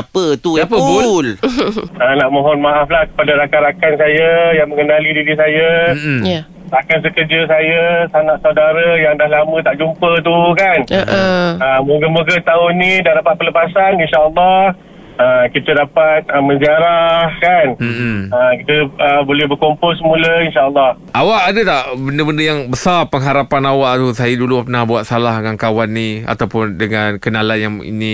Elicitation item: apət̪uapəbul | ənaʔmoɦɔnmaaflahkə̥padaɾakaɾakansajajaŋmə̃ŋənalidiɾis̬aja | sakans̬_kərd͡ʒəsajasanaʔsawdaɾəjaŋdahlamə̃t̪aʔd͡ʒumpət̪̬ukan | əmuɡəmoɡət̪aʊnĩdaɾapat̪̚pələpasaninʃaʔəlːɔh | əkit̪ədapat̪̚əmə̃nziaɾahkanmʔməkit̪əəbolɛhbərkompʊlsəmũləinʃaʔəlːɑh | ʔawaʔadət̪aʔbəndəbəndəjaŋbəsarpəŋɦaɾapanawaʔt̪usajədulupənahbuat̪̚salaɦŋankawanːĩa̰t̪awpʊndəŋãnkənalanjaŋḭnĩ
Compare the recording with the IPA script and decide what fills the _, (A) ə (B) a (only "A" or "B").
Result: A